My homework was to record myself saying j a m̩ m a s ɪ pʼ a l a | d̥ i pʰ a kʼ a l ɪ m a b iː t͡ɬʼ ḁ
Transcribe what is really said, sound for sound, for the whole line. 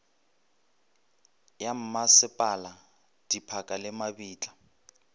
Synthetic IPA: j a m̩ m a s ɪ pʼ a l a | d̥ i pʰ a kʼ a l ɪ m a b iː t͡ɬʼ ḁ